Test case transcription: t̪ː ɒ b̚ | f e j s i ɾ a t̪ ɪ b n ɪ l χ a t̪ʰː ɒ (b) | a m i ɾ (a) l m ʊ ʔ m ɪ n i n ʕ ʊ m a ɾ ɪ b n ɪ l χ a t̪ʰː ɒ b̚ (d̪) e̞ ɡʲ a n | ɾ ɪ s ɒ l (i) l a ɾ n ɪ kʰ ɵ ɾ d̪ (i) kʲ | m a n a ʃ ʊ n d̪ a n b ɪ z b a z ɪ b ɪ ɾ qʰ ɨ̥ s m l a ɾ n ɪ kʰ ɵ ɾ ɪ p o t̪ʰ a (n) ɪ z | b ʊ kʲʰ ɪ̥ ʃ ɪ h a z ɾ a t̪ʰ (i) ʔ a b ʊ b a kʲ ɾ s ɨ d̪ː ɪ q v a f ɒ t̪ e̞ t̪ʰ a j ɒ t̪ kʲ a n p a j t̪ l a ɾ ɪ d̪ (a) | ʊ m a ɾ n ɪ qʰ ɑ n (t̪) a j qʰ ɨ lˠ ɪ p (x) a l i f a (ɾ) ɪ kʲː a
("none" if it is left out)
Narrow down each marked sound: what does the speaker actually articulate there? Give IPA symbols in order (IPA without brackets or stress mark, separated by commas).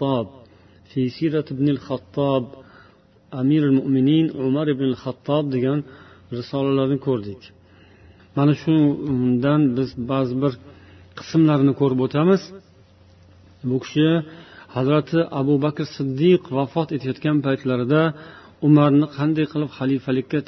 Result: b, a, d̪, a, ɪ, m, ɪ, a, d̪, χ, l